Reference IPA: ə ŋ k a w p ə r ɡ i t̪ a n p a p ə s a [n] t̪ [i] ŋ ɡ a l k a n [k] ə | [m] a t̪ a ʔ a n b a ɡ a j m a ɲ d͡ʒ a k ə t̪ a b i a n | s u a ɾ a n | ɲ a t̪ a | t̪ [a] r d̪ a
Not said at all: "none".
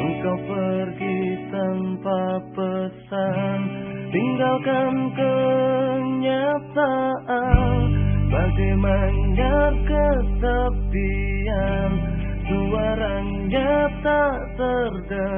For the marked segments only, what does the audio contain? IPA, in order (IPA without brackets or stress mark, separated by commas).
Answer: n, i, k, ɲ, ə